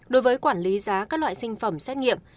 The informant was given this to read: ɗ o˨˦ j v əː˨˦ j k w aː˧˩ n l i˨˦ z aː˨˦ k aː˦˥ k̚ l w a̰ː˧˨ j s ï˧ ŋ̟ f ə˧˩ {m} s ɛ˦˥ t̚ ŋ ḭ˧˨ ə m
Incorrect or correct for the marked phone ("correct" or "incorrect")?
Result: correct